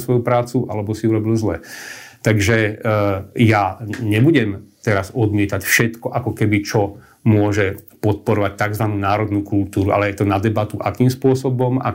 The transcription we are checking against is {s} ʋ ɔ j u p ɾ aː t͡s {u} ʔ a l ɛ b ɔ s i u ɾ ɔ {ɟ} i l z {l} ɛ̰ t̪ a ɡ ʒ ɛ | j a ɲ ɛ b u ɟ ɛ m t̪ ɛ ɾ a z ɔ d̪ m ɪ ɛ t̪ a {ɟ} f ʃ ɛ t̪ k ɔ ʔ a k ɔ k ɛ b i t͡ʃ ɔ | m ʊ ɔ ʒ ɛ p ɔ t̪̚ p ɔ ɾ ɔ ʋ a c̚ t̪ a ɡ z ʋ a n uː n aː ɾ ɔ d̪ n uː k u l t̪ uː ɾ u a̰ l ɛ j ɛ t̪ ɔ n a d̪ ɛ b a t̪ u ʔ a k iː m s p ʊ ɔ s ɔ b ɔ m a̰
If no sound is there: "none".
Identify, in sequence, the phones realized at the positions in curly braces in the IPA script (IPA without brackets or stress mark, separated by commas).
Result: s, u, b, l, c